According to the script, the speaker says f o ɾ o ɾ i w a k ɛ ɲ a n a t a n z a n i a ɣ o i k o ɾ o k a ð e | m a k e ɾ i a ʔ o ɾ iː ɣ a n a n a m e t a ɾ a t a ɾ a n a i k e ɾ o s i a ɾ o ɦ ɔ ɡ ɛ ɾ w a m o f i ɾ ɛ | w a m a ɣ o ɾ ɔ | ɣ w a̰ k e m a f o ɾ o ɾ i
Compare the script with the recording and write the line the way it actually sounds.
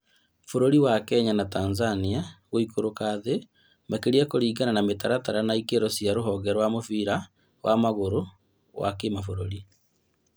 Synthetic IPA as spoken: f o ɾ o ɾ i w a k ɛ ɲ a n a t a n z a n i a ɣ o i k o ɾ o k a ð e | m a k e ɾ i a k o ɾ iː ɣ a n a n a m e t a ɾ a t a ɾ a n a i k e ɾ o s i a ɾ o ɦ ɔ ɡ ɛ ɾ w a m o f i ɾ a | w a m a ɣ o ɾ o | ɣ w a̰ k e m a f o ɾ o ɾ i